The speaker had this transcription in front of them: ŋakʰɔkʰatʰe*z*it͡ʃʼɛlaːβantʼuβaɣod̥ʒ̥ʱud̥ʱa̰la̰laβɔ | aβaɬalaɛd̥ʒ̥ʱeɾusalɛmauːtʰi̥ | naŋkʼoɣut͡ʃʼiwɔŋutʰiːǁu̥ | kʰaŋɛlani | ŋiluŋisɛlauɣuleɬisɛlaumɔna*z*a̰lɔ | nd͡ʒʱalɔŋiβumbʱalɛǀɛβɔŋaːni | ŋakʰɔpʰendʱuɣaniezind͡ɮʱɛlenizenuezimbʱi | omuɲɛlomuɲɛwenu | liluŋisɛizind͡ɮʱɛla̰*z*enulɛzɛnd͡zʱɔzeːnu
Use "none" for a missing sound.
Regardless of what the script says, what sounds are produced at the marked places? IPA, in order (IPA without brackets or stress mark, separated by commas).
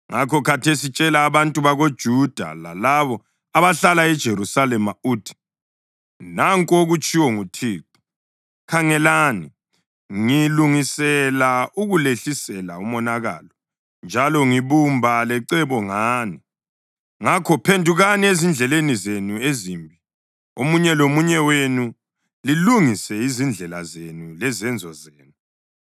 s, ɣ, z